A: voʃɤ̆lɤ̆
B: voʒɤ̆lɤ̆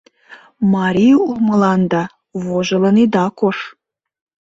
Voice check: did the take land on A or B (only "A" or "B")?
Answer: B